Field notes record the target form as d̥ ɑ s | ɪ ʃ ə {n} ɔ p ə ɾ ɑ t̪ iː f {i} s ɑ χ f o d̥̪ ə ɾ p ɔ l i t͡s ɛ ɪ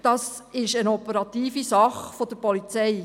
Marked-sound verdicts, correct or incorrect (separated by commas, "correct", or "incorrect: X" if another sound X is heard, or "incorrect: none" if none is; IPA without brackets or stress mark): correct, correct